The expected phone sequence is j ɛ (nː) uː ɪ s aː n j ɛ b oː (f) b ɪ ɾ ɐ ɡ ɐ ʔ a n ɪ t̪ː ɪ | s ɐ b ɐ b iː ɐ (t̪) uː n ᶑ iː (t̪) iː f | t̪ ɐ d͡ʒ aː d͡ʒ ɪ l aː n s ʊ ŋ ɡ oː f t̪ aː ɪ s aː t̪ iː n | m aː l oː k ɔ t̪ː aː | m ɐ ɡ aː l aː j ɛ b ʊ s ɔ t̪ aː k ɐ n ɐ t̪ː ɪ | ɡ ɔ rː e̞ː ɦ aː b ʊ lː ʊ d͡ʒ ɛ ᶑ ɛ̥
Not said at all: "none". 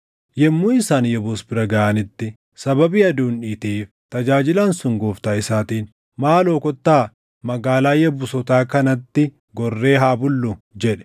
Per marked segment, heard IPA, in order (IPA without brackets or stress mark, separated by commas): mː, s, d̪, t̪